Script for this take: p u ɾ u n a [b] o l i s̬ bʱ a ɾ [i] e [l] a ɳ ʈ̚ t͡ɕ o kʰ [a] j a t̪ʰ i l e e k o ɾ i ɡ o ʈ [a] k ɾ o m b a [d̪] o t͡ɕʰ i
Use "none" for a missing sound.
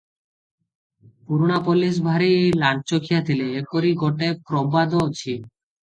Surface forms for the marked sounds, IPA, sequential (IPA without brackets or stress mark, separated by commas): p, i, l, i, e, d̪